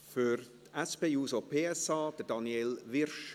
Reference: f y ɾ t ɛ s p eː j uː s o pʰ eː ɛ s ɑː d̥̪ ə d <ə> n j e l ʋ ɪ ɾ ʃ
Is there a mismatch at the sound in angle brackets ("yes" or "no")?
yes